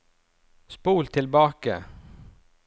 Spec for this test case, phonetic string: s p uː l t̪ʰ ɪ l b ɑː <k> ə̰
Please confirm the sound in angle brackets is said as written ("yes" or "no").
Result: yes